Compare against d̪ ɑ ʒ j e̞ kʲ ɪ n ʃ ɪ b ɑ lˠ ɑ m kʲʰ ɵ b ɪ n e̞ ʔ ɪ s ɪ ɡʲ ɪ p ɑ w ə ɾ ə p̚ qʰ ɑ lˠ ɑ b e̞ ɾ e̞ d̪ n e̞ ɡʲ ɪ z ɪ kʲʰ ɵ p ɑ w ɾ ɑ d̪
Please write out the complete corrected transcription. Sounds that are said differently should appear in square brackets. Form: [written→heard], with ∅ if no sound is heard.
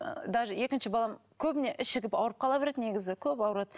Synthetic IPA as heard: d̪ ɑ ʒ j e̞ kʲ ɪ n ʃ ɪ b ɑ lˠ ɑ m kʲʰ ɵ b ɪ n e̞ ʔ ɪ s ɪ ɡʲ ɪ p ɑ w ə ɾ ə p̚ qʰ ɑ lˠ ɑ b e̞ ɾ e̞ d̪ n e̞ ɡʲ ɪ z ɪ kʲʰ ɵ p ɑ w ɾ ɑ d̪